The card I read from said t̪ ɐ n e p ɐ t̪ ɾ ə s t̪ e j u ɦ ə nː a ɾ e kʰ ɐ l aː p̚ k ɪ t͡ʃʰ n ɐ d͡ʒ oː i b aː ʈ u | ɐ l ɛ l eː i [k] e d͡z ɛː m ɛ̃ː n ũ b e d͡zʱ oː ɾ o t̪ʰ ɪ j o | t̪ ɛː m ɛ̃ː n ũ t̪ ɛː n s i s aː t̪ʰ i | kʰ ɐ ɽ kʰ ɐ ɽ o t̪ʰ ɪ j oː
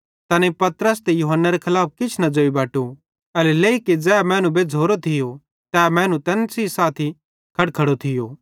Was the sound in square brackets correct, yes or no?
yes